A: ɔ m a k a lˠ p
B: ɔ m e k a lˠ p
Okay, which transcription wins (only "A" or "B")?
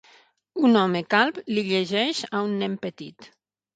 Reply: B